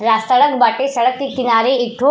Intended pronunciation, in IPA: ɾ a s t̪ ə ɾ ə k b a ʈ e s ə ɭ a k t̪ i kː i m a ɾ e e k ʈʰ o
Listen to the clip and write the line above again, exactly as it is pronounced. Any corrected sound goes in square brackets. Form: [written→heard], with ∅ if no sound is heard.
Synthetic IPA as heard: ɾ a s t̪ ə [ɾ→ɭ] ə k b a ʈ e s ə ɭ [a→ə] k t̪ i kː i [m→n] a ɾ e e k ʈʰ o